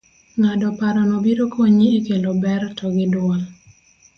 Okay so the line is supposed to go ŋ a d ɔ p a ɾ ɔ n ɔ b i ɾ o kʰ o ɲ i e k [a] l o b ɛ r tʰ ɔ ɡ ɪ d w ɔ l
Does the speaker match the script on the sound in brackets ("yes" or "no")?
no